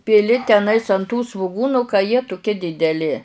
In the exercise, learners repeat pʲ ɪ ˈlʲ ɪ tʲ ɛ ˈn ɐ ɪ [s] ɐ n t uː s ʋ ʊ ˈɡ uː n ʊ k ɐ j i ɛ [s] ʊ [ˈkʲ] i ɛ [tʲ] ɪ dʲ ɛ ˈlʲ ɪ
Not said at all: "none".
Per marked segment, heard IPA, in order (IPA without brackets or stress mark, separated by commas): s, t, kʲ, dʲ